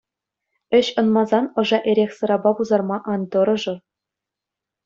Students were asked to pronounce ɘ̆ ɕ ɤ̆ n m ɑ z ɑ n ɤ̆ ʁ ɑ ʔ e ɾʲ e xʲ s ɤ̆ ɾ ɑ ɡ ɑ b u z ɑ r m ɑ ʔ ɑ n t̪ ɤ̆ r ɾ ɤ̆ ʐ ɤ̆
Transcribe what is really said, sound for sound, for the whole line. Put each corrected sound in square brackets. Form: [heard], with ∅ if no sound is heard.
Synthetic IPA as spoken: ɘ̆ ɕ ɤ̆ n m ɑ z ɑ n ɤ̆ [ʐ] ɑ ʔ e ɾʲ e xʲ s ɤ̆ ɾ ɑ [b] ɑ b u z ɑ r m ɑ ʔ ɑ n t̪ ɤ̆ [∅] ɾ ɤ̆ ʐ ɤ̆